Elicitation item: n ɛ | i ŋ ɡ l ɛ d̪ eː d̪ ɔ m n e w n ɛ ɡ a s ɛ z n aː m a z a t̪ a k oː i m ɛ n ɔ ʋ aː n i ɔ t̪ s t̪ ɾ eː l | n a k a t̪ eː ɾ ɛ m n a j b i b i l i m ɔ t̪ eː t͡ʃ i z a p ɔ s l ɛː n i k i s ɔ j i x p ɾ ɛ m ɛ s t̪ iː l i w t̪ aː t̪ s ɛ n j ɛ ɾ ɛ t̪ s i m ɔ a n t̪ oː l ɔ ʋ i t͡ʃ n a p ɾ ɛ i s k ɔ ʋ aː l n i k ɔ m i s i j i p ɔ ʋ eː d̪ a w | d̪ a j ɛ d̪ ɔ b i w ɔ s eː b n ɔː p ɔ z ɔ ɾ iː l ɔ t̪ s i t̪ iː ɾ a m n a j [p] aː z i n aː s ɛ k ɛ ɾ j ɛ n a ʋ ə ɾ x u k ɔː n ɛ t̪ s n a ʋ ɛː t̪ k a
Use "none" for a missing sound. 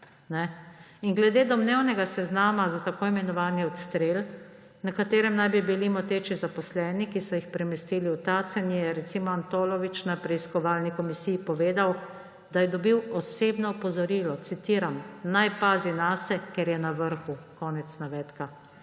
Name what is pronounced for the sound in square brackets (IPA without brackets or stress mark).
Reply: p